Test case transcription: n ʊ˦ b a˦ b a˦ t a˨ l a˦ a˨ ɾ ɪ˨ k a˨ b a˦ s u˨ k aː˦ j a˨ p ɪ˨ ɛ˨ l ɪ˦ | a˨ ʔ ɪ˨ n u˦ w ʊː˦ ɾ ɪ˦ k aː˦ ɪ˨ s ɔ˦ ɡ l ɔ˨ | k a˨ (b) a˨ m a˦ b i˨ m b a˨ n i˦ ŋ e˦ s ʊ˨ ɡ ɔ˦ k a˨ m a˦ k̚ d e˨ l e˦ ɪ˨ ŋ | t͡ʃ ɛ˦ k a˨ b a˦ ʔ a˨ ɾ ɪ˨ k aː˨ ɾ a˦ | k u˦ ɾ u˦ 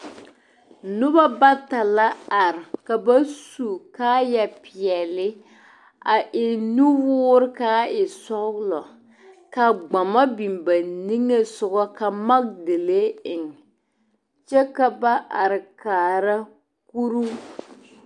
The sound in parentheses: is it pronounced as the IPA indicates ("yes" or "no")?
no